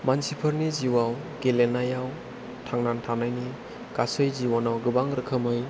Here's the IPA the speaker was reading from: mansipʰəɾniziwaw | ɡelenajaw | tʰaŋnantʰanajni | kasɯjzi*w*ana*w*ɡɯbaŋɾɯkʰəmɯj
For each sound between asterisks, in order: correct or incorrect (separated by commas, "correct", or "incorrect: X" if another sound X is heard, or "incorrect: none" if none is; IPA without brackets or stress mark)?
correct, correct